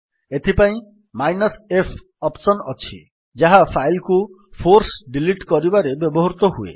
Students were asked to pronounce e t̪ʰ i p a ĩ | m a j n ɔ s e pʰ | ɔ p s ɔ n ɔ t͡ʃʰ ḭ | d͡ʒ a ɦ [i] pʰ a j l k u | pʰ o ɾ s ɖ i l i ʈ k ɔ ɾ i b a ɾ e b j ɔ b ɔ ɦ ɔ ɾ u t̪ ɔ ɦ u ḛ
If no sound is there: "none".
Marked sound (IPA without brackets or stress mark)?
a